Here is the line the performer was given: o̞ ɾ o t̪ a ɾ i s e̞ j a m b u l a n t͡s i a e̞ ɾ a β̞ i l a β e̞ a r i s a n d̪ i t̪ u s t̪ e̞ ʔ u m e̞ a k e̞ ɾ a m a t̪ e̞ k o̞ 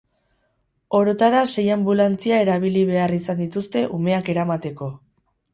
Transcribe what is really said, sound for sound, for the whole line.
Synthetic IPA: o̞ ɾ o t̪ a ɾ a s e̞ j a m b u l a n t͡s i a e̞ ɾ a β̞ i l i β e̞ a r i s a n d̪ i t̪ u s t̪ e̞ ʔ u m e̞ a k e̞ ɾ a m a t̪ e̞ k o̞